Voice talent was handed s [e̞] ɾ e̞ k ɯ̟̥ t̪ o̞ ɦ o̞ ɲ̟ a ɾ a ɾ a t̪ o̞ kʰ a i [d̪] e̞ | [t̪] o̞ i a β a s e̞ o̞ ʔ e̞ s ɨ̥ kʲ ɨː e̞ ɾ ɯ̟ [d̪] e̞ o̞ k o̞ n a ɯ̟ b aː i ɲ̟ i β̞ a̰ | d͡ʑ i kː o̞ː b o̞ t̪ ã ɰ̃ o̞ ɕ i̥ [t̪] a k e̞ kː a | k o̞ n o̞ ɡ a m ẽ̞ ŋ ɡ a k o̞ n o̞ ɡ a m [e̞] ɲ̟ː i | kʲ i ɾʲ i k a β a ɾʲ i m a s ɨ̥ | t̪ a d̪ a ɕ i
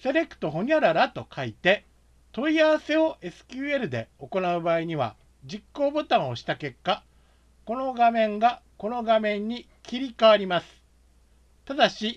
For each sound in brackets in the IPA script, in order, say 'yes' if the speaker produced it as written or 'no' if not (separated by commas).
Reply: yes, no, yes, yes, yes, no